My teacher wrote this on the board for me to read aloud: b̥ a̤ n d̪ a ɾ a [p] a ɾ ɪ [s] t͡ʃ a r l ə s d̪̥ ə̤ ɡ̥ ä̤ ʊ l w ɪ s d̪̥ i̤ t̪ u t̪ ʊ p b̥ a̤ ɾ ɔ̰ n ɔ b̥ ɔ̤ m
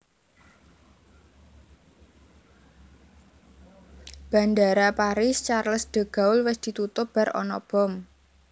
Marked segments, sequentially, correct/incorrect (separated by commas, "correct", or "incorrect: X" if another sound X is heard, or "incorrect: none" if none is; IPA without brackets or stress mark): correct, correct